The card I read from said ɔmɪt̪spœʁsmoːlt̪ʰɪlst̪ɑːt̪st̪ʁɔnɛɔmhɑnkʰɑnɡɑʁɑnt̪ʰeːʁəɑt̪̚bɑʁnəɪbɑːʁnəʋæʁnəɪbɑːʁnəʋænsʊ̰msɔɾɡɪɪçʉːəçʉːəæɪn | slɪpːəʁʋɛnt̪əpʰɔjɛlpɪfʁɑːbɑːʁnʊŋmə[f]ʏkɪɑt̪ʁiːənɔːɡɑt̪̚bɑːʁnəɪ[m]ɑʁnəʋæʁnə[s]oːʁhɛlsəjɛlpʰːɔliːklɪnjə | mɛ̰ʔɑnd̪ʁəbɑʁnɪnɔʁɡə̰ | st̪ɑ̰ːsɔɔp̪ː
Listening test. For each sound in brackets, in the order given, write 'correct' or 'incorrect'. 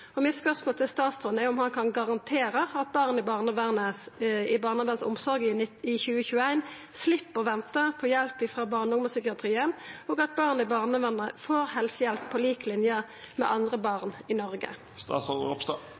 incorrect: s, incorrect: b, incorrect: f

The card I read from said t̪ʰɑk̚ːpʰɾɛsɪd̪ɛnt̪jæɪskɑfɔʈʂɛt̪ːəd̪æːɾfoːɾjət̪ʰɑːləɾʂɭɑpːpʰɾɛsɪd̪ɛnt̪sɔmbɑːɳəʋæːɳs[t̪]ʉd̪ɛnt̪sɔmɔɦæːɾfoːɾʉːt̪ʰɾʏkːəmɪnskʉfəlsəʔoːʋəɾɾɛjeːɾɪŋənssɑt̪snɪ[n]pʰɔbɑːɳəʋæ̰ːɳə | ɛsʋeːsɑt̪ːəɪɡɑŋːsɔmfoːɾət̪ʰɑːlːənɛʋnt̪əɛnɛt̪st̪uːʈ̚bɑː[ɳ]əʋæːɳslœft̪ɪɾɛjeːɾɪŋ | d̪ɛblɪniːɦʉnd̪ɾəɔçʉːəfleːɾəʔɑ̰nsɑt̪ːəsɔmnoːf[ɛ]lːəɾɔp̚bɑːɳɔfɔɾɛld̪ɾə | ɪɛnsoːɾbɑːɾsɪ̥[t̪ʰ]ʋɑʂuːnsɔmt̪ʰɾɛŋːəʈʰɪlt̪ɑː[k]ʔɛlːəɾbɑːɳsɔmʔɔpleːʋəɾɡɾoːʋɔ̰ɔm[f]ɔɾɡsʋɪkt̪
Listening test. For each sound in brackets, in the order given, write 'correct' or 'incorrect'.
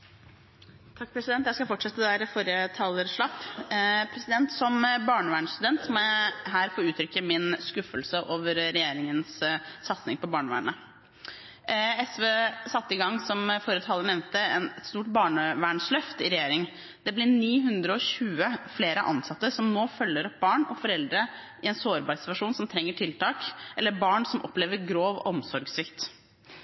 correct, incorrect: ŋ, correct, incorrect: œ, incorrect: t̪, correct, incorrect: s

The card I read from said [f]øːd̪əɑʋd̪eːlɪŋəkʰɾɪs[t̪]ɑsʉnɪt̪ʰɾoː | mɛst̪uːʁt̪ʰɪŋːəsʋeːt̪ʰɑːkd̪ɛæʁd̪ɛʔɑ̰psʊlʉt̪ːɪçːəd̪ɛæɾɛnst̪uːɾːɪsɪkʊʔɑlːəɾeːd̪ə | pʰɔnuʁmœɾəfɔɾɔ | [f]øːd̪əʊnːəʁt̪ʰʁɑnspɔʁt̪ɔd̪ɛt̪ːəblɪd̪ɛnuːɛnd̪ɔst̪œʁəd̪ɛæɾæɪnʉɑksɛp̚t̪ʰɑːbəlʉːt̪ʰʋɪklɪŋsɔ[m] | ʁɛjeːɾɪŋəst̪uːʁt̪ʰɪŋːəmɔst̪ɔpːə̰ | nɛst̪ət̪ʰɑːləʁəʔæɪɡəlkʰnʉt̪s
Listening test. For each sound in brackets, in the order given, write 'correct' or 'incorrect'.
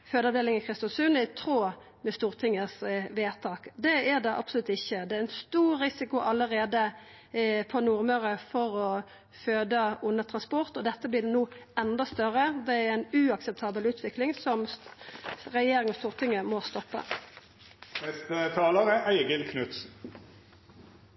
correct, correct, correct, correct

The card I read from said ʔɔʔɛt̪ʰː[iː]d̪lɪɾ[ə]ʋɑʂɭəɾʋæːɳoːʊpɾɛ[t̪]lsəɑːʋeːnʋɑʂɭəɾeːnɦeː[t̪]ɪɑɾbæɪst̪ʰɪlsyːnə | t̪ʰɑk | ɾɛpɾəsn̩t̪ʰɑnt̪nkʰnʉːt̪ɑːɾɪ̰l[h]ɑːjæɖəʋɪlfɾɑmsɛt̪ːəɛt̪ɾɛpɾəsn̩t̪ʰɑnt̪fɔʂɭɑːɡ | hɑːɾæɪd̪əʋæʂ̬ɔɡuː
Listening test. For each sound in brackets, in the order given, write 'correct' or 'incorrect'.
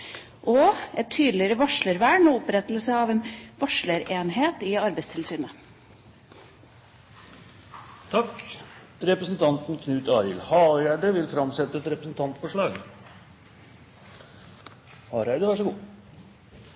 incorrect: yː, correct, correct, correct, correct

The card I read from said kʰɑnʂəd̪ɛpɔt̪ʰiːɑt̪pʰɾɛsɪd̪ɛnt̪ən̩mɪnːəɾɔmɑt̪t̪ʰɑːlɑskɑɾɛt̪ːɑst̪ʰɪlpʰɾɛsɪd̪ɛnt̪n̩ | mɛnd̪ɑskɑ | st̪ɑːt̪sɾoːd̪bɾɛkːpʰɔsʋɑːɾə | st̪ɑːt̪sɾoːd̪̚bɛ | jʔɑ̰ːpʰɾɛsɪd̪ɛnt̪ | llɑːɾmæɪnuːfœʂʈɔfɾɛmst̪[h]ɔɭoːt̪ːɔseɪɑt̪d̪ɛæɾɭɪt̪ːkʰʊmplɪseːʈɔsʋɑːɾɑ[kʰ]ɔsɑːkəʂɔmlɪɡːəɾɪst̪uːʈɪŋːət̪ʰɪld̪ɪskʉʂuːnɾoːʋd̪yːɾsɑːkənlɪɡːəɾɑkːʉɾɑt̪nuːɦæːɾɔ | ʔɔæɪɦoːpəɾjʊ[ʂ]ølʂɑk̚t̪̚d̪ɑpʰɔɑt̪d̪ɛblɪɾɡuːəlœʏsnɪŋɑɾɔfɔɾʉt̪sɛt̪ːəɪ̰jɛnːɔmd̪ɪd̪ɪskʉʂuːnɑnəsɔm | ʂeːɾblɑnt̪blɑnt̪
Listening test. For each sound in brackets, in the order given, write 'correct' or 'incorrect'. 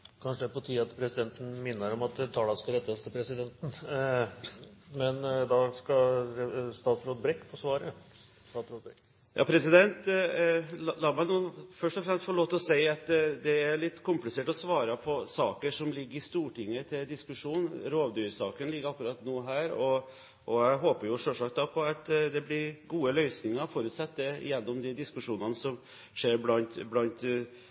incorrect: f, incorrect: pʰ, correct

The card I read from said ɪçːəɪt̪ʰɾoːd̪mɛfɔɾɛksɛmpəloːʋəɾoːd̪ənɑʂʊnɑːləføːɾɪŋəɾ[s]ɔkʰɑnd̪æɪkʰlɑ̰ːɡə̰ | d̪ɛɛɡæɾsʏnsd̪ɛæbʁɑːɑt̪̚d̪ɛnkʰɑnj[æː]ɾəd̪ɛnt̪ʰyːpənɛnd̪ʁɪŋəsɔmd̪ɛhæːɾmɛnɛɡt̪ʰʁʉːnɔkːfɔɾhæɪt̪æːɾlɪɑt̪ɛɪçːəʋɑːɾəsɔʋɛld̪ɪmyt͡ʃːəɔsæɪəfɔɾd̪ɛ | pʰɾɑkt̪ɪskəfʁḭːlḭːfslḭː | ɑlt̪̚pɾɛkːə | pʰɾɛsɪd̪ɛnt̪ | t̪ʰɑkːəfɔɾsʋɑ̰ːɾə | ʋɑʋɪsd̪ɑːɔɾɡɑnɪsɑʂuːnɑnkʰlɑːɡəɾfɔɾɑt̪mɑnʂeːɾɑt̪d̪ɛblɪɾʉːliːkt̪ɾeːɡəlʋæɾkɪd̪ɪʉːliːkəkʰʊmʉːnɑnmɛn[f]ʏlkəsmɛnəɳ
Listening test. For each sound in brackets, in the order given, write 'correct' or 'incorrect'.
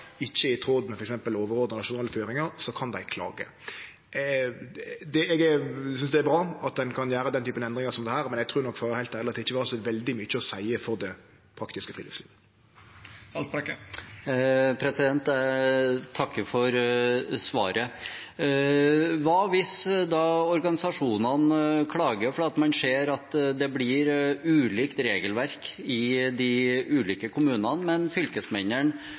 correct, correct, correct

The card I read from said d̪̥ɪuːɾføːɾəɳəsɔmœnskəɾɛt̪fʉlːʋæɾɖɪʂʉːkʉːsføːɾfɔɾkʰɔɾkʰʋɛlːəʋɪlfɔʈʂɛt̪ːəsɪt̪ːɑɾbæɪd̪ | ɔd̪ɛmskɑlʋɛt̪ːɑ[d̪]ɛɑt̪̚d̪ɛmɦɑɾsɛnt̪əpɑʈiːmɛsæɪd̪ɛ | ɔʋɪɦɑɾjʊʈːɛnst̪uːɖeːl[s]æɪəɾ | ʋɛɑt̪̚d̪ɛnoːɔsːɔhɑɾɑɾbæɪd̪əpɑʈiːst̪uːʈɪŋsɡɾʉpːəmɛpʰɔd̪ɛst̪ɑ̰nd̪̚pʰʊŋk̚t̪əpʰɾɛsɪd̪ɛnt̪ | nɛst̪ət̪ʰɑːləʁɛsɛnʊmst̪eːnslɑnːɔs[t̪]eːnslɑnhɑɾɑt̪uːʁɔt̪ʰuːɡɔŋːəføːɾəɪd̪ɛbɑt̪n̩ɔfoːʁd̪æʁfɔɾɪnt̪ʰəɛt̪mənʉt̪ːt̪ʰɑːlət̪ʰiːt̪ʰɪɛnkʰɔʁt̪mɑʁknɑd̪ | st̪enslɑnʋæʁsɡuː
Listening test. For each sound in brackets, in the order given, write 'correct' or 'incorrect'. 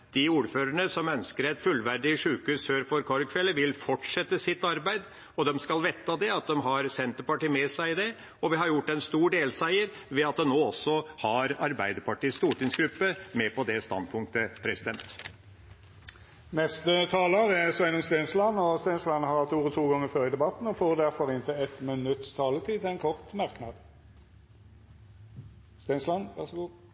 correct, correct, correct

